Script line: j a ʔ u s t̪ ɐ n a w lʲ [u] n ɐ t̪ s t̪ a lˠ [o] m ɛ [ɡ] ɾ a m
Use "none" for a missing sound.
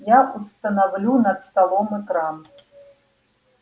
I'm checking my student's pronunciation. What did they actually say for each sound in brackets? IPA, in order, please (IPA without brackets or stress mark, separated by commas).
u, ɔ, k